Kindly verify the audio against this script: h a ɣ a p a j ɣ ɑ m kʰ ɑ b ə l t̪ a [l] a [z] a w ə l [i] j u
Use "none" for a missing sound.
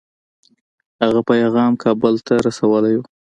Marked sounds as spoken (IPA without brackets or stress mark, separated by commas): ɾ, s, a